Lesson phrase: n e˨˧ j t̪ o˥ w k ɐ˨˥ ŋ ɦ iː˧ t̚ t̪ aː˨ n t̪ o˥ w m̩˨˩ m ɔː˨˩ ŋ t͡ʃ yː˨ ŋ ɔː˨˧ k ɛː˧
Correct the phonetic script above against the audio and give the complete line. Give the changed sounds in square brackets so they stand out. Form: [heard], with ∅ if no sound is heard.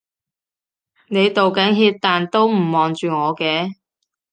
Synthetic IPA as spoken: n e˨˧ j t̪ [o˨] w k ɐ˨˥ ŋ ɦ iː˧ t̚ t̪ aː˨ n t̪ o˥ w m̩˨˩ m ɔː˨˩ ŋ t͡ʃ yː˨ ŋ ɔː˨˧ k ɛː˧

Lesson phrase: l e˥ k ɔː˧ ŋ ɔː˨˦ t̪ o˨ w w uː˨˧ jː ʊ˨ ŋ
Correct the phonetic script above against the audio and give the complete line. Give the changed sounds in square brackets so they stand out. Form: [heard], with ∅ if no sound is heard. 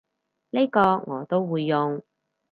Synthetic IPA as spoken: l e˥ k ɔː˧ ŋ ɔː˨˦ t̪ [o˥] w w uː˨˧ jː ʊ˨ ŋ

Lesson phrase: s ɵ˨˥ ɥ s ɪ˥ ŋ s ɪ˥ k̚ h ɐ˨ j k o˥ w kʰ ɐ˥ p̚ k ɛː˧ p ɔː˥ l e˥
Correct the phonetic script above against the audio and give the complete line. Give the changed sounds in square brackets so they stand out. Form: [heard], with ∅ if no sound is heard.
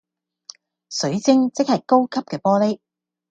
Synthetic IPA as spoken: s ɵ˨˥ ɥ [t͡s] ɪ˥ ŋ [t͡s] ɪ˥ k̚ h ɐ˨ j k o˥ w kʰ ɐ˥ p̚ k ɛː˧ p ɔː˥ l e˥

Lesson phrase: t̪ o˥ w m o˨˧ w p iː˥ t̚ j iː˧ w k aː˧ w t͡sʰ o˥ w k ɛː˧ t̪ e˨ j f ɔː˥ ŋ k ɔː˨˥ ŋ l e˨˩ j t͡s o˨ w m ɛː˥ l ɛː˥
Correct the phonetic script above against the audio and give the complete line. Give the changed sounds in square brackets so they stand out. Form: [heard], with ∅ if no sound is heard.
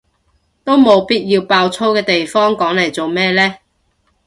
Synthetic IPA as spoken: t̪ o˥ w m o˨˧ w p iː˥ t̚ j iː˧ w [p] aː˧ w t͡sʰ o˥ w k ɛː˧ t̪ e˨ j f ɔː˥ ŋ k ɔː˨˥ ŋ l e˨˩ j t͡s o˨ w m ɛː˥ l ɛː˥

